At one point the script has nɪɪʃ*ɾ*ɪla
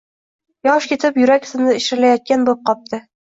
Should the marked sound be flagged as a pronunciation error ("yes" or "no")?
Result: no